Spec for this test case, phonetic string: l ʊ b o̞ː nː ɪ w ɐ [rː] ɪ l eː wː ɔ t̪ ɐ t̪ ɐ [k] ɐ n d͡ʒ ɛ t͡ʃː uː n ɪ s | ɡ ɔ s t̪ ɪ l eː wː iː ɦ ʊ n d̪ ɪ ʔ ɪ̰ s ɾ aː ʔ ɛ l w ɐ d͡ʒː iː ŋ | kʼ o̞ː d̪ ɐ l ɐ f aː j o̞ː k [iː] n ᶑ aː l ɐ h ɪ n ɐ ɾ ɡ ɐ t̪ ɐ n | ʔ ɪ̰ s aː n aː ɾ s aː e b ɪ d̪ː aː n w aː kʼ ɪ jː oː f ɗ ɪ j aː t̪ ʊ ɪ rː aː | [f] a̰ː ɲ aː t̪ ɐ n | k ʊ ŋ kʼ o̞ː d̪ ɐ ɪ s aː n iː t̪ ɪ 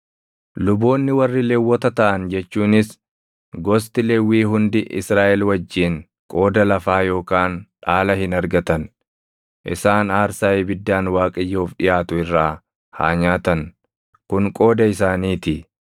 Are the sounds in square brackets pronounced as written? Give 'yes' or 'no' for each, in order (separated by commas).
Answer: yes, no, no, no